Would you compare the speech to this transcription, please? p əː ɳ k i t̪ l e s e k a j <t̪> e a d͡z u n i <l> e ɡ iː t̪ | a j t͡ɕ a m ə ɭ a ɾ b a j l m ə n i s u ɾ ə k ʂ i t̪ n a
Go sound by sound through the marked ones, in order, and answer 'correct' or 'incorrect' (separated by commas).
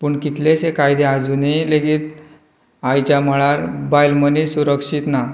incorrect, correct